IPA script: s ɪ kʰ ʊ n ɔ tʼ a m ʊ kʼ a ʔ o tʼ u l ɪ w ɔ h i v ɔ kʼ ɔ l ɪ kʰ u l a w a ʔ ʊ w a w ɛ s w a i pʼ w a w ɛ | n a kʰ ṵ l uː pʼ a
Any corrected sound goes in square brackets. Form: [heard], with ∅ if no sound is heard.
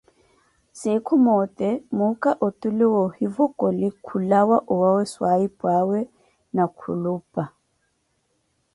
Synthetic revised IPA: s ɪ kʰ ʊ [m] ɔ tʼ [ɛ] m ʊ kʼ a ʔ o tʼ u l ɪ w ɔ h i v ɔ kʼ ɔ l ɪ kʰ u l a w a ʔ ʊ w a w ɛ s w a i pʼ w a w ɛ | n a kʰ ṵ l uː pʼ a